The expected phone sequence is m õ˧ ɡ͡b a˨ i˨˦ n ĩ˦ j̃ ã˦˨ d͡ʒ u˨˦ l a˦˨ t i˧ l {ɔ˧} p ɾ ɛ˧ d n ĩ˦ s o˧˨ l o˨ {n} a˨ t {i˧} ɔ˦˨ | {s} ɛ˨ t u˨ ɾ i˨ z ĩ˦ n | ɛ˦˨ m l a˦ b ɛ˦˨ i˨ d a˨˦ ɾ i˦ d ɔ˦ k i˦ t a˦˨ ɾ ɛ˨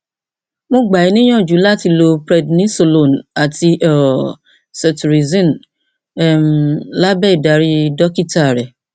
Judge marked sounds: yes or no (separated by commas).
no, yes, yes, yes